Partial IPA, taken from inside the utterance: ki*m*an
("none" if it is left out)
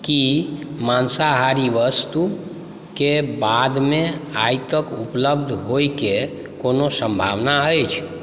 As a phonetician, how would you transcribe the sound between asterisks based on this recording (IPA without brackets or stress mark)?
m